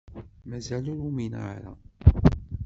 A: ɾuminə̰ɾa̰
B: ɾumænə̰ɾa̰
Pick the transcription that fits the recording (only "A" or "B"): A